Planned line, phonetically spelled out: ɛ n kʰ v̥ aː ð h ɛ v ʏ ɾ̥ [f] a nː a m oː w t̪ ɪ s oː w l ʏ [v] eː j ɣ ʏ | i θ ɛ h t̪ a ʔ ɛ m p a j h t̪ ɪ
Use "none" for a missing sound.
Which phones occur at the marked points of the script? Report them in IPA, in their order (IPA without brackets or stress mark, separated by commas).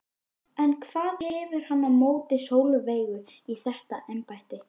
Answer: h, v